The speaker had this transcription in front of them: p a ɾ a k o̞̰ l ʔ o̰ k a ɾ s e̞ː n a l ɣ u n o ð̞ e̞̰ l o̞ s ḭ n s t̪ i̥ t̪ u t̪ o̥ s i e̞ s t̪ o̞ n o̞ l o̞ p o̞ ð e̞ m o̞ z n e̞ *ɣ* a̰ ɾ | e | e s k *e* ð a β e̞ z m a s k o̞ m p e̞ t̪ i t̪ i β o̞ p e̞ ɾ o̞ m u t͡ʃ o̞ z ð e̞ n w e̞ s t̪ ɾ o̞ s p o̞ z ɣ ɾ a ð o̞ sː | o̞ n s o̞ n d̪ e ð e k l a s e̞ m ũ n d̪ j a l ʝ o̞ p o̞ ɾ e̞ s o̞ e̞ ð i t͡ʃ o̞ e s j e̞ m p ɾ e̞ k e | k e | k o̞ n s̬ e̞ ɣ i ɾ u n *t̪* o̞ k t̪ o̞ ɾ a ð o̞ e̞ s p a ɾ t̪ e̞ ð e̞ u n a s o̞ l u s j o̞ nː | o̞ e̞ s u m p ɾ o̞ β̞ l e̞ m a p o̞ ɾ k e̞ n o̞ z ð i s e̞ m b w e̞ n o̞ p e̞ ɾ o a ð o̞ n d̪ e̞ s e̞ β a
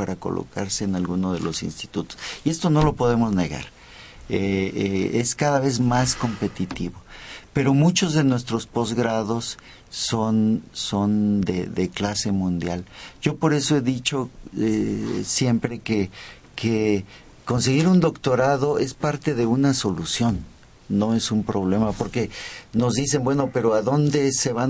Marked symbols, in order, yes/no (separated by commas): yes, no, no